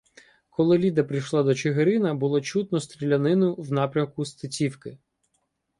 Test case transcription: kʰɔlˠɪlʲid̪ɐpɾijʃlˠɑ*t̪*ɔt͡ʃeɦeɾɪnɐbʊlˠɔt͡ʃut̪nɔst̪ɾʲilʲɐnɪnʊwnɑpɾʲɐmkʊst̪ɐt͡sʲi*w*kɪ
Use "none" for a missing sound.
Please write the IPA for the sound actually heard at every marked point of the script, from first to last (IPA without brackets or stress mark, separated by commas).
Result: d̪, w